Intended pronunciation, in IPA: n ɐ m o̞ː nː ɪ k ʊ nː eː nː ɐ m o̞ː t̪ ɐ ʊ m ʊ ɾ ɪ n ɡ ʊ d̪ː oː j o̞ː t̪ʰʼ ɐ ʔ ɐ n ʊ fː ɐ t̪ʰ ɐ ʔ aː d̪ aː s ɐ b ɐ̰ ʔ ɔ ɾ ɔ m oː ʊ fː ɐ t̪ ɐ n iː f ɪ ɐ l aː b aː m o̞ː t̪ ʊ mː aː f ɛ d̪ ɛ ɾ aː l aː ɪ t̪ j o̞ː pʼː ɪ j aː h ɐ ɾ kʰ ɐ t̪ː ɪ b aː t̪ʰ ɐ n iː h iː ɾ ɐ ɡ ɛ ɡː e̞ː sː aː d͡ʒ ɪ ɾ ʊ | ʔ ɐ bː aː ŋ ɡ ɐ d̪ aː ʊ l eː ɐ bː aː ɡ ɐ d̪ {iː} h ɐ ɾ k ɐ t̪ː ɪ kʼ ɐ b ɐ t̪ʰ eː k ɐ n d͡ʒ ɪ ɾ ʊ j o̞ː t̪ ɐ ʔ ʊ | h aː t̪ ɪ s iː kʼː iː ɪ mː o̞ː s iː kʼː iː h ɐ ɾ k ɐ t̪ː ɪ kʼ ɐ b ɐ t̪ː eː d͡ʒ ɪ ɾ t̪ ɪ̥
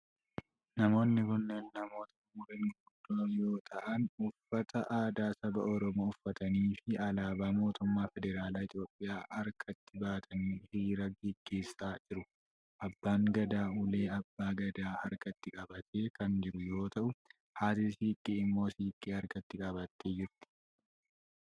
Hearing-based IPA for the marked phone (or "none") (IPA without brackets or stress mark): aː